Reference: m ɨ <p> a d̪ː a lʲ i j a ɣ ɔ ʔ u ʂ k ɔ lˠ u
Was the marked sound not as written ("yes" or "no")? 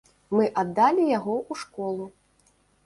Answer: yes